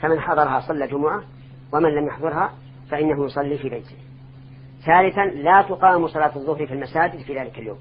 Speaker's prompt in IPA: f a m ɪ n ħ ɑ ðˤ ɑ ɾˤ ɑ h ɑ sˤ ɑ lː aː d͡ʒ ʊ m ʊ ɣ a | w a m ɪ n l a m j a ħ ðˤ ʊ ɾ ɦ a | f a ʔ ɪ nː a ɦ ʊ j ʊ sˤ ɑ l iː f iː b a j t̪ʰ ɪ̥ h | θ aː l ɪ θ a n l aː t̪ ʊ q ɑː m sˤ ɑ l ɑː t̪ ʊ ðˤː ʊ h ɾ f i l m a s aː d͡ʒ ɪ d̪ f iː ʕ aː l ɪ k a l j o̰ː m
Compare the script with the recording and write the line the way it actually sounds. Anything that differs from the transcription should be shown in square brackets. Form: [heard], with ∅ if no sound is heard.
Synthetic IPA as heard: f a m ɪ n ħ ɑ ðˤ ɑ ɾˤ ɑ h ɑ sˤ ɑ lː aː d͡ʒ ʊ m ʊ [ʕ] a | w a m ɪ n l a m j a ħ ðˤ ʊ ɾ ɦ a | f a ʔ ɪ nː a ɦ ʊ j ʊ sˤ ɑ [lː] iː f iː b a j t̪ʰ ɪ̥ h | θ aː l ɪ θ a n l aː t̪ ʊ q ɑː m sˤ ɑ l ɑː t̪ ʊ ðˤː ʊ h ɾ f i l m a s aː d͡ʒ ɪ d̪ f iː [ð] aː l ɪ k a l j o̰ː m